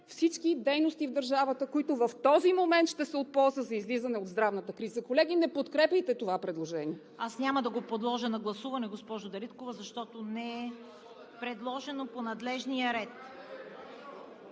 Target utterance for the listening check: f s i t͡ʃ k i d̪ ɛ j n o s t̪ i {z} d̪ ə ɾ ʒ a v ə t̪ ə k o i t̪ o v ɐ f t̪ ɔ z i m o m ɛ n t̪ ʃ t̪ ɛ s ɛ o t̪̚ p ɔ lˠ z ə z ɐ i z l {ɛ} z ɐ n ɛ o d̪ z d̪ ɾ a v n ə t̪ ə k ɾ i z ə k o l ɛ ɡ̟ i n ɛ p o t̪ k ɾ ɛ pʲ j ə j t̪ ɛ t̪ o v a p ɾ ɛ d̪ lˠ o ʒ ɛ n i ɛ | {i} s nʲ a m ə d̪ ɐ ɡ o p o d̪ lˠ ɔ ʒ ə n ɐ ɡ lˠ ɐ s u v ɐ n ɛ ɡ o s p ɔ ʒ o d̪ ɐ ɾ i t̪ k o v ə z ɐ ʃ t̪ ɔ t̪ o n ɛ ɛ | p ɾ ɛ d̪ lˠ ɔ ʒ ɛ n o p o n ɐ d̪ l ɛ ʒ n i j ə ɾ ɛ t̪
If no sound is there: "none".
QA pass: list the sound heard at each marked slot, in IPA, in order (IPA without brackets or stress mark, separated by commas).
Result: v, i, a